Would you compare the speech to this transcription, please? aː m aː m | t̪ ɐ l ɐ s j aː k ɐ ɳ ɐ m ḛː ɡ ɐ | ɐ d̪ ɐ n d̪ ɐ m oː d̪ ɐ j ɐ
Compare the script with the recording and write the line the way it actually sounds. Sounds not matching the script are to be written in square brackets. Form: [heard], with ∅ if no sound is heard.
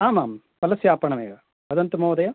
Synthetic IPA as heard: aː m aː m | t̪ ɐ l ɐ s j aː [p] ɐ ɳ ɐ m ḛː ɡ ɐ | ɐ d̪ ɐ n [t̪] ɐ m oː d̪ ɐ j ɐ